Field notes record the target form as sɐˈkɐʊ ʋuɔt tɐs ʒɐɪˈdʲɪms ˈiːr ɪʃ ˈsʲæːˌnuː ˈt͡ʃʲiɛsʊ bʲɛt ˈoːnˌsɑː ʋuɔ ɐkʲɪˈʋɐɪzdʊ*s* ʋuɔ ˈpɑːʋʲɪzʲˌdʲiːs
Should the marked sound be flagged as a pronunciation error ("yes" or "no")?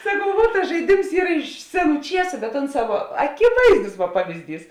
no